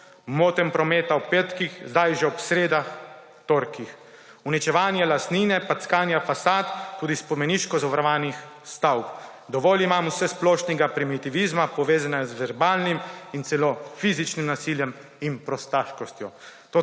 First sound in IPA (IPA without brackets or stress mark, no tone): m